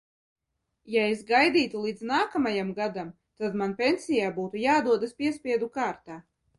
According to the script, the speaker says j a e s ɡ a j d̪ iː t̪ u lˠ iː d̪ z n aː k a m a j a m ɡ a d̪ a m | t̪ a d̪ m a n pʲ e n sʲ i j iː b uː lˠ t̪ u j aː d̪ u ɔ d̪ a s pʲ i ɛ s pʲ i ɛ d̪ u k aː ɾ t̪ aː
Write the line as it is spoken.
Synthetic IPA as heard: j a e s ɡ a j d̪ iː t̪ u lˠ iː d̪ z n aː k a m a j a m ɡ a d̪ a m | t̪ a d̪ m a n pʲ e n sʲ i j aː b uː t̪ u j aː d̪ u ɔ d̪ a s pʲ i ɛ s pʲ i ɛ d̪ u k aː ɾ t̪ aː